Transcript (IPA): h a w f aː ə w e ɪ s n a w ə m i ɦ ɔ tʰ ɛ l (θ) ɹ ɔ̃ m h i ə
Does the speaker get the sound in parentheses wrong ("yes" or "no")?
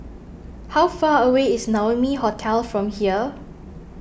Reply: yes